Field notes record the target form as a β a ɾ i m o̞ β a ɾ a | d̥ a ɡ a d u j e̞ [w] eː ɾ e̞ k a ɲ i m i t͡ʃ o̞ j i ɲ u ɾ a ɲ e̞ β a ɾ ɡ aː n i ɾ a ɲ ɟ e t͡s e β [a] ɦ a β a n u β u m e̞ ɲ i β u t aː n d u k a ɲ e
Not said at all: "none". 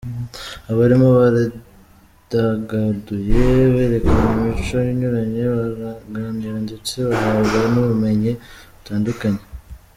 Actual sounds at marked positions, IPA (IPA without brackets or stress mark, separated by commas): β, a